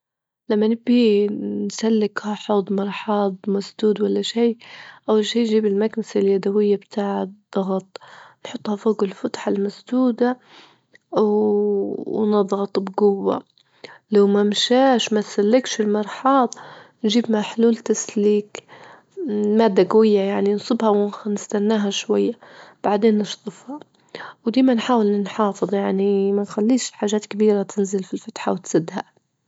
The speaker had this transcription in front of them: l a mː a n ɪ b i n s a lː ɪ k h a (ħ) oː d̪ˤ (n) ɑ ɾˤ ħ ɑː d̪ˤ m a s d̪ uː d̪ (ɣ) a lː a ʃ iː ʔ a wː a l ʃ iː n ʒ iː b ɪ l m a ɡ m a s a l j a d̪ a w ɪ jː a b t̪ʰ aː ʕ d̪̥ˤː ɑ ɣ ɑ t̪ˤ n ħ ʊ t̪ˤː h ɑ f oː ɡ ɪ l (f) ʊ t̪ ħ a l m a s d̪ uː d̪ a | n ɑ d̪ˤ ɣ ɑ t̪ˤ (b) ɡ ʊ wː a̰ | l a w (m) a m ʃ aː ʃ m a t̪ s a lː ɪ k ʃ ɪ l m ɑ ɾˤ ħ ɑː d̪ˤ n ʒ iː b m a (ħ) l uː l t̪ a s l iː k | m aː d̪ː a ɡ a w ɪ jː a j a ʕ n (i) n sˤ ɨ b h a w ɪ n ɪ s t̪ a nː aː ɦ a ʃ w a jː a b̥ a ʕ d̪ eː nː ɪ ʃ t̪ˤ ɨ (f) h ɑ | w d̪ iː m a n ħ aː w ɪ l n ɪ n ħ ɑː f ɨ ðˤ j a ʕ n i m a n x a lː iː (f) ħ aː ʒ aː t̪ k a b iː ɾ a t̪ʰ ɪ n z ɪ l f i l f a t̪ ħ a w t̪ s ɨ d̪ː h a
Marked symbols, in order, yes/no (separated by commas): yes, no, no, yes, yes, yes, yes, yes, yes, no